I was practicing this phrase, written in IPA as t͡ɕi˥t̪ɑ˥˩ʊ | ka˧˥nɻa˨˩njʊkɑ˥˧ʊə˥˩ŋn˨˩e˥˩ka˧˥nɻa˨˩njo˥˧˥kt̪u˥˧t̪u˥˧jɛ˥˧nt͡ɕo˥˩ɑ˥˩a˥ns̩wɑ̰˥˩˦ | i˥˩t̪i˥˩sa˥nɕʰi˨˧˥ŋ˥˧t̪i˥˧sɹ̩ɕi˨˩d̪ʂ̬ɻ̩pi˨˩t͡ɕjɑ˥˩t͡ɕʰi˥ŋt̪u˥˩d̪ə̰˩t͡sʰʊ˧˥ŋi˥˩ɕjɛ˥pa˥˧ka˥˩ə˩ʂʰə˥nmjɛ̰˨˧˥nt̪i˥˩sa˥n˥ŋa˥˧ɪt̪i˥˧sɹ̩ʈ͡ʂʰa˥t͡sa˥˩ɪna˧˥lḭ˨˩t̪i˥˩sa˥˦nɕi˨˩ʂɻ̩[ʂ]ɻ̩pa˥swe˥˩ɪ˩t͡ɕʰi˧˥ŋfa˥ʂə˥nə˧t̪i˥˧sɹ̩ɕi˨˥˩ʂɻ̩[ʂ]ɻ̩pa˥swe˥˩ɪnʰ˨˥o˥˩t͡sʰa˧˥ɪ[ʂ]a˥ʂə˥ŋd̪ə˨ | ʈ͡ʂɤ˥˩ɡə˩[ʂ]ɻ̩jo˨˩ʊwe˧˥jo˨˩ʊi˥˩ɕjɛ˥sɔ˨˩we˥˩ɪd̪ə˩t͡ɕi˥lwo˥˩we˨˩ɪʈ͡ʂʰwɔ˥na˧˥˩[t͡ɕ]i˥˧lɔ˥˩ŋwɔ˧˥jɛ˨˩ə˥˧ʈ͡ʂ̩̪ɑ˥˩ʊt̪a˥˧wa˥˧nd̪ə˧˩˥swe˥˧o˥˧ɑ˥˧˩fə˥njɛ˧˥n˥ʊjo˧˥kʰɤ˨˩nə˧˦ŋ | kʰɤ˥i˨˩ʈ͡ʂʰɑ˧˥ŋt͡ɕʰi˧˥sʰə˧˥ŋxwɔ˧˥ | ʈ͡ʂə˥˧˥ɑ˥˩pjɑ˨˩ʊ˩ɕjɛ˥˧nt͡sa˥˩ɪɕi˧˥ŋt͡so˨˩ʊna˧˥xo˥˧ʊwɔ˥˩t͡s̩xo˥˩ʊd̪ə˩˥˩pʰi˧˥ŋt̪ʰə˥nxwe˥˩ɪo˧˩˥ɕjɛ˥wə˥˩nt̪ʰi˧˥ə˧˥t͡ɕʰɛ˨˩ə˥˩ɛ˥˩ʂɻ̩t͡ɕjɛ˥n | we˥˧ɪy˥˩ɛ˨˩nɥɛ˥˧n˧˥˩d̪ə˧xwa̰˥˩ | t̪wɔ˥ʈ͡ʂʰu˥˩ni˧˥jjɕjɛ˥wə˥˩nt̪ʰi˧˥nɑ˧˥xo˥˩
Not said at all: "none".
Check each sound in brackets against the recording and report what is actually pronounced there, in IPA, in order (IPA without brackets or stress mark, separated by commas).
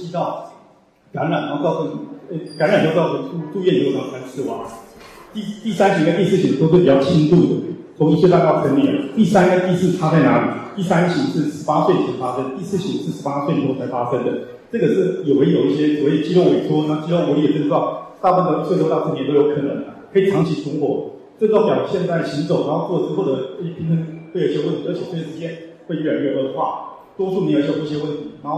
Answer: ʂ, ʂ, f, ʂ, t͡ɕ